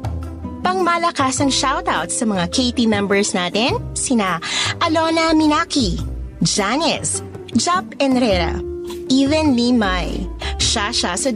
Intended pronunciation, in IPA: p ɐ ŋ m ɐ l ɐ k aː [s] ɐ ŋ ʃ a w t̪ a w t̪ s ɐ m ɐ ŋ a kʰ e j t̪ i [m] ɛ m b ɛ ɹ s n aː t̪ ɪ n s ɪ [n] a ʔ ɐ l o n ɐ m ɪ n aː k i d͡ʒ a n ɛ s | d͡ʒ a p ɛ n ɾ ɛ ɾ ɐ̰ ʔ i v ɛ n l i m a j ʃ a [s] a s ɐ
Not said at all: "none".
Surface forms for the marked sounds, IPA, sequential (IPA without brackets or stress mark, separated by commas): s, m, n, ʃ